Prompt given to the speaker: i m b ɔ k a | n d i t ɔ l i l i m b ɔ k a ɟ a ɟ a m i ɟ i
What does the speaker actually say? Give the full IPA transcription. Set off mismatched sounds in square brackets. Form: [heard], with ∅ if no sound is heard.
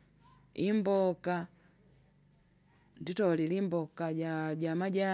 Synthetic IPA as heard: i m b ɔ k a | n d i t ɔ l i l i m b ɔ k a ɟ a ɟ a m [a] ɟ [a]